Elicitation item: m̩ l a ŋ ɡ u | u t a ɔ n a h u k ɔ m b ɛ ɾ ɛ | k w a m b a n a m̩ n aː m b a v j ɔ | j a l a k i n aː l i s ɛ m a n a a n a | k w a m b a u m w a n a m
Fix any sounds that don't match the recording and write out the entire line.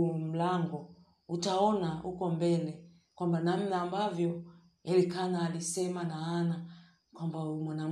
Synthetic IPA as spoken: m̩ l a ŋ ɡ ɔ | u t a ɔ n a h u k ɔ m b ɛ l ɛ | k w a m b a n a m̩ n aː m b a v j ɔ | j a l i k a n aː l i s ɛ m a n a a n a | k w a m b a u m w a n a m